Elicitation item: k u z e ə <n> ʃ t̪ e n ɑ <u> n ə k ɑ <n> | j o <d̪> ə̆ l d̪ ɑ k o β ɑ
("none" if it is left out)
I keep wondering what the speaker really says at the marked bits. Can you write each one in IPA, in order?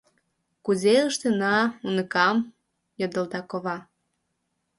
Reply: none, u, m, d̪

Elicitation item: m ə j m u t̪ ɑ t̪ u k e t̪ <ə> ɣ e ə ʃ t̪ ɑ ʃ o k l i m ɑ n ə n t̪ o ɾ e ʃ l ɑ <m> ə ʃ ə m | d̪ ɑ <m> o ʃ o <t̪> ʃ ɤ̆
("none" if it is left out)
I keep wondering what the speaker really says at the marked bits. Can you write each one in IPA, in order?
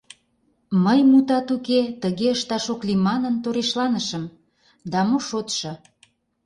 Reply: ə, n, m, t̪

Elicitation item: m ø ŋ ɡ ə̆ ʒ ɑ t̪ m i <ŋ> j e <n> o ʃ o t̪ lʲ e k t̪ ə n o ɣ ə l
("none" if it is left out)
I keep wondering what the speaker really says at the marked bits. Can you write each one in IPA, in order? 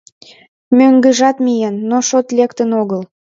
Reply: none, nː

